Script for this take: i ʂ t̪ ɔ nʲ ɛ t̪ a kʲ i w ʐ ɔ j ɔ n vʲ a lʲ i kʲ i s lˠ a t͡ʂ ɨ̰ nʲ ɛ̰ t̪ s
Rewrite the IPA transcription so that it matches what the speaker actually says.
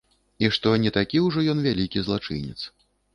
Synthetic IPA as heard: i ʂ t̪ ɔ nʲ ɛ t̪ a kʲ i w ʐ ɔ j ɔ n vʲ a lʲ i kʲ i z lˠ a t͡ʂ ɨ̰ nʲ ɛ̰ t̪ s